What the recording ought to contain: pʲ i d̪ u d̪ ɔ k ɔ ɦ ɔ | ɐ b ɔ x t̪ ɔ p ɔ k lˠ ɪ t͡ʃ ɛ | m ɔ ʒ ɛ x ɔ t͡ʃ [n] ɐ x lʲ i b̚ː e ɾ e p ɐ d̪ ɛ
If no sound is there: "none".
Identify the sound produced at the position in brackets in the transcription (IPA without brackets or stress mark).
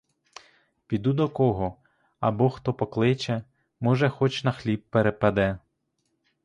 n